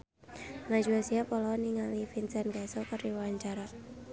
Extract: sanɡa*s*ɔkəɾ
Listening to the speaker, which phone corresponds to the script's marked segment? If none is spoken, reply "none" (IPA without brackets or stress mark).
s